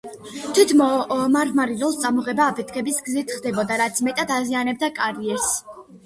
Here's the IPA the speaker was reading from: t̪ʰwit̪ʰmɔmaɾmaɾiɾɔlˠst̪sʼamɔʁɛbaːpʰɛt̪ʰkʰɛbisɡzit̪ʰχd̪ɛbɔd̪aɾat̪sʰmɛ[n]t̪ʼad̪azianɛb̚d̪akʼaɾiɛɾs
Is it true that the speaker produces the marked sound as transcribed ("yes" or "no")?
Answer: no